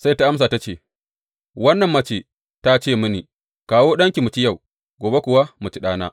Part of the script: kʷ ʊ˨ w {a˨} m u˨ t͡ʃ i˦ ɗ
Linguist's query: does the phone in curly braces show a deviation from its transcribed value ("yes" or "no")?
yes